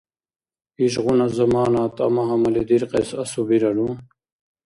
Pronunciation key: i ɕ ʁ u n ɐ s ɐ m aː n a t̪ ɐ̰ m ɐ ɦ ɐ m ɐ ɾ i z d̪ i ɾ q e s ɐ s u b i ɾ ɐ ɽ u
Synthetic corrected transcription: i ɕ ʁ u n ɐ z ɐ m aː n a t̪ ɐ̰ m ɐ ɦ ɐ m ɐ l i d̪ i ɾ q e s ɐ s u b i ɾ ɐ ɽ u